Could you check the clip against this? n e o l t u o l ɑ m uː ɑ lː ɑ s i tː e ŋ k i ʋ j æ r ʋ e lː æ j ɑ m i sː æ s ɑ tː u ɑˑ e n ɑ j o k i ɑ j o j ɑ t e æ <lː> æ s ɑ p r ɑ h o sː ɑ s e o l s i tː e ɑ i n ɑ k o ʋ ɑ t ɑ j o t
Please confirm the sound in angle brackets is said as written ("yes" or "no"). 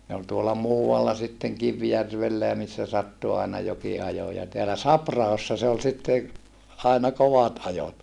no